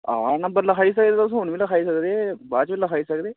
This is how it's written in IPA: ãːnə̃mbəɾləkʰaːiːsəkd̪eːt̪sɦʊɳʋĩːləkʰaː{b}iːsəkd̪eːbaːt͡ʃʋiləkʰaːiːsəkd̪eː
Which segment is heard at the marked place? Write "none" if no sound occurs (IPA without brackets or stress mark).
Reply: none